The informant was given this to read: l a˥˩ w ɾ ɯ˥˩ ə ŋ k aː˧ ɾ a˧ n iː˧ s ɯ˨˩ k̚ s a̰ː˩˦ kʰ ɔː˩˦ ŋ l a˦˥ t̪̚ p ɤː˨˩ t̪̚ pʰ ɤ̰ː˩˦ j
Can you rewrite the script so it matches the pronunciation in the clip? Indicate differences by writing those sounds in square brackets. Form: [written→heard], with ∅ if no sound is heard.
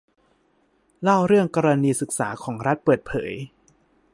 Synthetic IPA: l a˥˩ w ɾ ɯ˥˩ ə ŋ k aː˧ ɾ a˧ n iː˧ s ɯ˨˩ k̚ s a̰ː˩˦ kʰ ɔː˩˦ ŋ [l→ɾ] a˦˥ t̪̚ p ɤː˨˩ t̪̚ pʰ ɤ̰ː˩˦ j